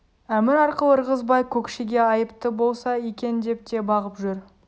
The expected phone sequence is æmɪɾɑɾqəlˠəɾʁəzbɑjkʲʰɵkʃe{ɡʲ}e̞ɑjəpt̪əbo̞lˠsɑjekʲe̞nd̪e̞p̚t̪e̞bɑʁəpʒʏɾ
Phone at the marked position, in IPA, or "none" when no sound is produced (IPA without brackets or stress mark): ɡʲ